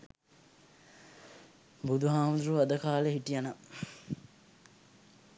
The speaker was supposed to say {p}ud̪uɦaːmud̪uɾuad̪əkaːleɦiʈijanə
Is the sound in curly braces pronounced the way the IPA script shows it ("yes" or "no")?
no